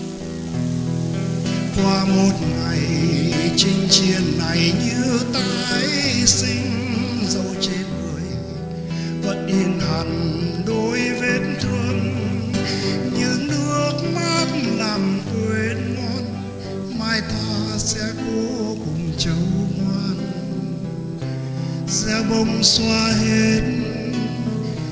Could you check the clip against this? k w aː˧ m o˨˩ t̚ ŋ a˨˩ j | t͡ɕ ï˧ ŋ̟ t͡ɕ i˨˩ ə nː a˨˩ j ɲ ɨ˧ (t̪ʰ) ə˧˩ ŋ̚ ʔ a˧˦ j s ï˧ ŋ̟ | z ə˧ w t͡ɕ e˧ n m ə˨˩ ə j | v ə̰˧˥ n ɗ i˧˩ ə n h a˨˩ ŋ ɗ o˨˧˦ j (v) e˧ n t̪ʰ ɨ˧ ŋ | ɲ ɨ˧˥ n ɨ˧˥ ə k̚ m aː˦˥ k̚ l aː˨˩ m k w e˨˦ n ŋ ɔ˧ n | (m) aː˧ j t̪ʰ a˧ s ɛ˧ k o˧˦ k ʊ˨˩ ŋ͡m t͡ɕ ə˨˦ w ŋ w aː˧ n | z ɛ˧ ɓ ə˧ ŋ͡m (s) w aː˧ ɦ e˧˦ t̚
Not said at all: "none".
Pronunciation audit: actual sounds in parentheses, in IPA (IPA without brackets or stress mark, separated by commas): t̪, v, m, s